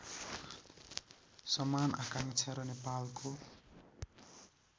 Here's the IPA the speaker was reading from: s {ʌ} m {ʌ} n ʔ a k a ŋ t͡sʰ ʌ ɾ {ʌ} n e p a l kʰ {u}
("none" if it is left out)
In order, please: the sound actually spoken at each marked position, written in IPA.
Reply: ʌ, a, ʌ, o

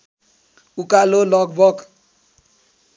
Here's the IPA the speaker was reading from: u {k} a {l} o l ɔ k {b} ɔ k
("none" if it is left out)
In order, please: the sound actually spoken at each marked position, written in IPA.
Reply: k, l, b

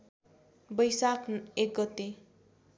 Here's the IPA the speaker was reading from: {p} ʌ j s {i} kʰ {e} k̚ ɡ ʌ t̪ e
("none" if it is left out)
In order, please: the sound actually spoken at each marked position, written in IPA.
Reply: b, a, e

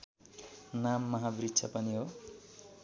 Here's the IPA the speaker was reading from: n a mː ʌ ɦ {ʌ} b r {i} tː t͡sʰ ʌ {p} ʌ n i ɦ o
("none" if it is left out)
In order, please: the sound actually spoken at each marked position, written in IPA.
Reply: a, i, p

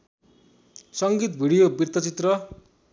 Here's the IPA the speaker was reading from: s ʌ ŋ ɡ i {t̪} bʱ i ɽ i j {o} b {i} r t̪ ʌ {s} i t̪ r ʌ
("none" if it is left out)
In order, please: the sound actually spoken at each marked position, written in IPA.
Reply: t̪, o, i, t͡s

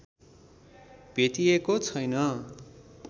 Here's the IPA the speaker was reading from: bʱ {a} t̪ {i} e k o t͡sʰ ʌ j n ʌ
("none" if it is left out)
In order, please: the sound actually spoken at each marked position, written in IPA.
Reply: e, i

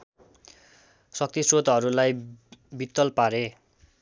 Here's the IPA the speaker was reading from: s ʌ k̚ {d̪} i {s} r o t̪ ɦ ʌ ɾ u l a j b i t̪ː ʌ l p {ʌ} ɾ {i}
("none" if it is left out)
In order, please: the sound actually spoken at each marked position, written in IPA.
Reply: t̪, s, a, e

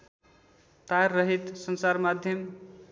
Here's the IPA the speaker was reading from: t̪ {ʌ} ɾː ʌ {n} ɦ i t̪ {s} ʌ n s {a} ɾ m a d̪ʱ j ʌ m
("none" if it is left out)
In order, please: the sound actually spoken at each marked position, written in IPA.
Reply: a, none, s, a

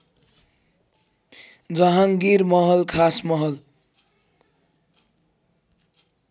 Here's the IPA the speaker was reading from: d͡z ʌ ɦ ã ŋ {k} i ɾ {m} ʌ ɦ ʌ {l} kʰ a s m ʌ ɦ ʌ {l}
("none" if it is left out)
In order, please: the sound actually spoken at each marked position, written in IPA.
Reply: ɡ, m, l, l

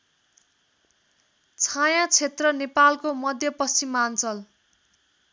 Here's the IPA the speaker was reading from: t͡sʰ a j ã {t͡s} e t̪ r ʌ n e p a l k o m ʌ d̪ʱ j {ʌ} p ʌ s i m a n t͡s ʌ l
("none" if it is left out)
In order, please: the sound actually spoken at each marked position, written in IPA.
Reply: t͡sʰ, ʌ

